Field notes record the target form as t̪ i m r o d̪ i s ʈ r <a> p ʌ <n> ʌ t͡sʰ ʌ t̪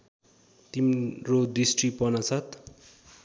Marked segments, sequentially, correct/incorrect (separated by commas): incorrect, correct